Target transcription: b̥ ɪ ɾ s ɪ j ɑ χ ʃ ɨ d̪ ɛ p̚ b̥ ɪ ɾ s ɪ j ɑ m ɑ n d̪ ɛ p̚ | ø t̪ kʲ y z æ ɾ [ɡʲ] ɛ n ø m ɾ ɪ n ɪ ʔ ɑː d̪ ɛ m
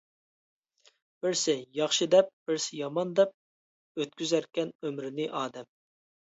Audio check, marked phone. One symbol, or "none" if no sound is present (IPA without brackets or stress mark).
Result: kʲ